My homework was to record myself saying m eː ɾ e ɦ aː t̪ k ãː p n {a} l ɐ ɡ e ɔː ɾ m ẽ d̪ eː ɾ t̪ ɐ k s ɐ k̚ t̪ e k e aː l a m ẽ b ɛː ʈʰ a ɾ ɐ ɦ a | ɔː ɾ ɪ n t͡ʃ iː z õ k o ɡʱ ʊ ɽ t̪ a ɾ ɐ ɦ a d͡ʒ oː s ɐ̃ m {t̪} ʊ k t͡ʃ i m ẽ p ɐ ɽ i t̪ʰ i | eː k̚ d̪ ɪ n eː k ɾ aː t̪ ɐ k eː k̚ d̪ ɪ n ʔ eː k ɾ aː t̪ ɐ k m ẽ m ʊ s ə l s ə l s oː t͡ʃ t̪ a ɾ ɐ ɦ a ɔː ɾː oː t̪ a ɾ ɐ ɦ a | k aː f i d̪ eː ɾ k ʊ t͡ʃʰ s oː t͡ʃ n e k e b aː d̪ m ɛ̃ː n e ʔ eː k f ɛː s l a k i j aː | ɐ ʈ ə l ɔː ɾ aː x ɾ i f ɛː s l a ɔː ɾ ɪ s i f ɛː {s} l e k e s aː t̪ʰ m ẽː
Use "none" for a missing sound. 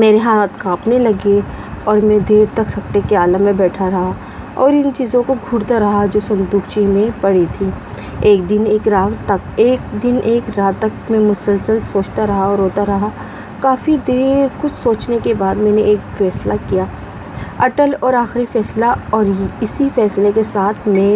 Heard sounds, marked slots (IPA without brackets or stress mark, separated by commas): e, d̪, s